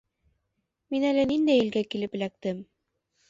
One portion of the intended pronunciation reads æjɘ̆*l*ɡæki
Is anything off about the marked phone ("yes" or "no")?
no